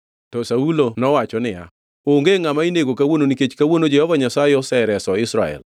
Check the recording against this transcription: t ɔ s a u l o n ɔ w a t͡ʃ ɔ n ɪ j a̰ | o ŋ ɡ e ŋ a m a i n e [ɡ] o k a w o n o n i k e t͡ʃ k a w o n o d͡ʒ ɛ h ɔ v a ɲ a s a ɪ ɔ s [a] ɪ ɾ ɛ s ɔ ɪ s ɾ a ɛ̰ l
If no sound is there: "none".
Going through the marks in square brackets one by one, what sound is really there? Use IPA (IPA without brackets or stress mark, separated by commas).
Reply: ɡ, ɛ